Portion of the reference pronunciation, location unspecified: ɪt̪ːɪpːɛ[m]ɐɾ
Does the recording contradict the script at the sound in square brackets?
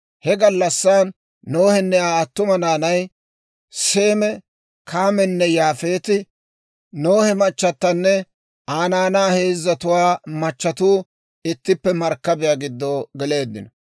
no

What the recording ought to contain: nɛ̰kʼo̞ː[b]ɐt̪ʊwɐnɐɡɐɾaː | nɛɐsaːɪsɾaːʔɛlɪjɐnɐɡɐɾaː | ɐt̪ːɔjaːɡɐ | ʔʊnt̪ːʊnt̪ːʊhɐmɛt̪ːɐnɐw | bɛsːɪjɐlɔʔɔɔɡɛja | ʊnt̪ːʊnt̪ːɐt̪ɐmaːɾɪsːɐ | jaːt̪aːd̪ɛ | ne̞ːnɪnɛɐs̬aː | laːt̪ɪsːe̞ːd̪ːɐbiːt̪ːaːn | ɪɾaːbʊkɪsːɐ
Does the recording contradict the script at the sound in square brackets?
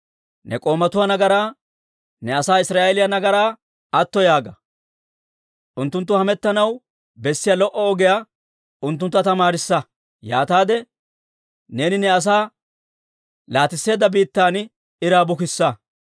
yes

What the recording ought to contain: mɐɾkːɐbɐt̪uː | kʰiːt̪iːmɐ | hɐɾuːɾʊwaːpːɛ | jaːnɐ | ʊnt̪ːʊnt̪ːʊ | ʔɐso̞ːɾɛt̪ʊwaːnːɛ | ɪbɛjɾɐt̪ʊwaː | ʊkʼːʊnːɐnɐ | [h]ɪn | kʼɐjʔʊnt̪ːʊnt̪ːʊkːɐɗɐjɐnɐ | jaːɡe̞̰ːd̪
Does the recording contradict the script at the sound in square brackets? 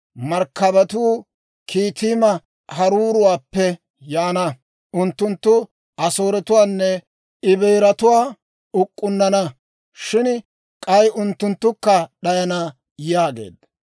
yes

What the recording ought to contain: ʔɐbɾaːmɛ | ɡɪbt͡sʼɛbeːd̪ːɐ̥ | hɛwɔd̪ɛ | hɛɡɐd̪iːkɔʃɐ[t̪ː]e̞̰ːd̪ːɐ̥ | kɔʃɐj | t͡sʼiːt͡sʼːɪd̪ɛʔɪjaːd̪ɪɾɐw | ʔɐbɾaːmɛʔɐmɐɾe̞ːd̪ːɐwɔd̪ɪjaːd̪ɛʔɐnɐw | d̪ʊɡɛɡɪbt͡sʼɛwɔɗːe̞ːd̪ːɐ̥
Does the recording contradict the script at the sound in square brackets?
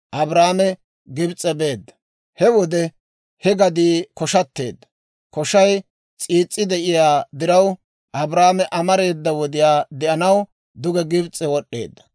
no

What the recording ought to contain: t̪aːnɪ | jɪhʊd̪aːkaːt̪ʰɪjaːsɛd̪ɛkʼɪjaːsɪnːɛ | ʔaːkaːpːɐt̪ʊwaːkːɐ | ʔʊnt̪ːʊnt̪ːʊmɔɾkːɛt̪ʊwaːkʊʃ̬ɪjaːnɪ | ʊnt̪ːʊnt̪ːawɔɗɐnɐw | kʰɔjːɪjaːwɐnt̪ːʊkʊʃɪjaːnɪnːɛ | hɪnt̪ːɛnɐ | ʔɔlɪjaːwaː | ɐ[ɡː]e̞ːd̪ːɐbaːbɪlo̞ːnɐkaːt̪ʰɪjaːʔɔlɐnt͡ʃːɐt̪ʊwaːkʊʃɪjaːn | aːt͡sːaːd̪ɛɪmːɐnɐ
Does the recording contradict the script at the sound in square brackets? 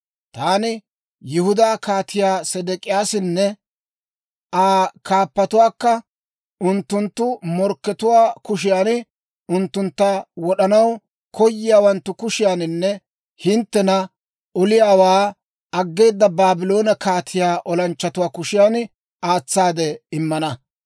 no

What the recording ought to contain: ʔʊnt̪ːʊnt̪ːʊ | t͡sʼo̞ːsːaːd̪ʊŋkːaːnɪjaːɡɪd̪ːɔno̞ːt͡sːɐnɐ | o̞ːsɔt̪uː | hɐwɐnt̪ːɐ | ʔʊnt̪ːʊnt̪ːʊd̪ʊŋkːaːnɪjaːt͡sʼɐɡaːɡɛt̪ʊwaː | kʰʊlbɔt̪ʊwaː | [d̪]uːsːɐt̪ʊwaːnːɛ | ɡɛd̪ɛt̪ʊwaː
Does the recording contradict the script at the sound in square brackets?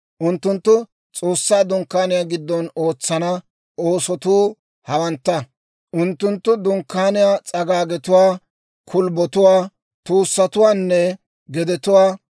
yes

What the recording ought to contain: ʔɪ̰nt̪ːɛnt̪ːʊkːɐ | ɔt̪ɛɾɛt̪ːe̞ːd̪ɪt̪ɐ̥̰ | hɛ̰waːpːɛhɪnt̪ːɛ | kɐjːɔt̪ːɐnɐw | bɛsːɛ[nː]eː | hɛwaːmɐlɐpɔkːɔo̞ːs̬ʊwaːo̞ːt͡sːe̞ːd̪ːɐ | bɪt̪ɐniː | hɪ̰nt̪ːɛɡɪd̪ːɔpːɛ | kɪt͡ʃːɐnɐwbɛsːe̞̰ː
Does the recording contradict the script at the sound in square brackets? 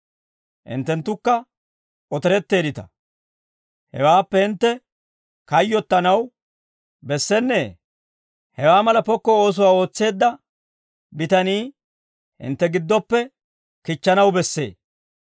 no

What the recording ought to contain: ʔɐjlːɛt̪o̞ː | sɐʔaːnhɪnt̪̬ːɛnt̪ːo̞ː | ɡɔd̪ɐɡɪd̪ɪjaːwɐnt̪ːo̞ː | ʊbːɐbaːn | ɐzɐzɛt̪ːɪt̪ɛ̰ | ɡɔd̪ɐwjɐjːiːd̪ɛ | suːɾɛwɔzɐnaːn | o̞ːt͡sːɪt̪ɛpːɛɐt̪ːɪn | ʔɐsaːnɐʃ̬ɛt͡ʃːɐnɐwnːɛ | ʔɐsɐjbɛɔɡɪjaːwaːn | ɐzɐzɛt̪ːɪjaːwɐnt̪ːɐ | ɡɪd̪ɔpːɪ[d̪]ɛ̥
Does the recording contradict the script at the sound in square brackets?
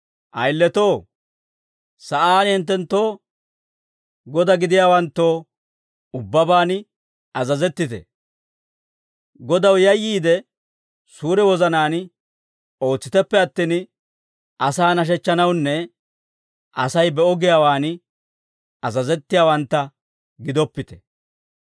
yes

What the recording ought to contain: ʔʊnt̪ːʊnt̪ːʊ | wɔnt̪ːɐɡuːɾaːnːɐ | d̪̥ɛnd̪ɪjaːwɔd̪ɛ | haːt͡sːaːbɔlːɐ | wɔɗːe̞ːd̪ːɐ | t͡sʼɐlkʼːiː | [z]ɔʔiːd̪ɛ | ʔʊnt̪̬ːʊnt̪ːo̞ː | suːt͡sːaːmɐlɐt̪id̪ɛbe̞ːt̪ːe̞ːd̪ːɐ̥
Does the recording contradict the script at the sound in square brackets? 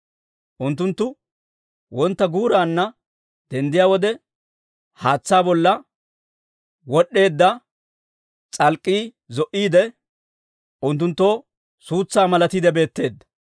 no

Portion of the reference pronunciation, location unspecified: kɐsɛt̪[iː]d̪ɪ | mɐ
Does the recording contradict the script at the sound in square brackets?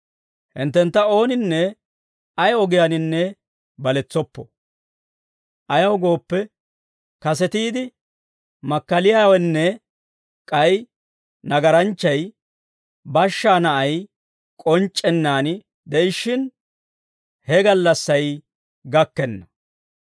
no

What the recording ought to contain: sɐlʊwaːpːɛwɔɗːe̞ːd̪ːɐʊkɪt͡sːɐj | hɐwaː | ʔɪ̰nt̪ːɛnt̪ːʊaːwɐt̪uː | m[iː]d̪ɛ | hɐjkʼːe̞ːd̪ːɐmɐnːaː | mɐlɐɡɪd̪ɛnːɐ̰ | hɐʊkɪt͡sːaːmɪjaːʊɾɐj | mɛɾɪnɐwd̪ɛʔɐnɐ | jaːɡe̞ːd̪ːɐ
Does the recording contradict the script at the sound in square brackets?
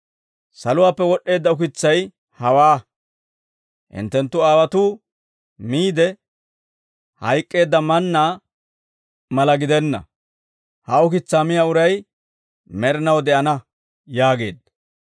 no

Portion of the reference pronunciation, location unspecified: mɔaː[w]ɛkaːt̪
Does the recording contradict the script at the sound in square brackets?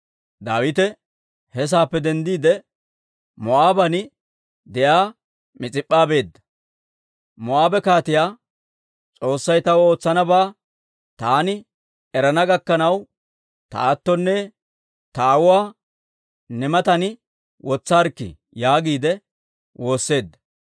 yes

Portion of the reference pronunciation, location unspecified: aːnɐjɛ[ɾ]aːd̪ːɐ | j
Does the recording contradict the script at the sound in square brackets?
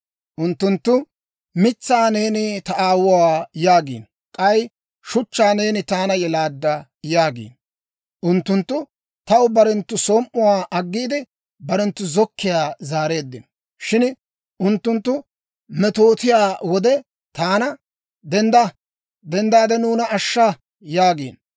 yes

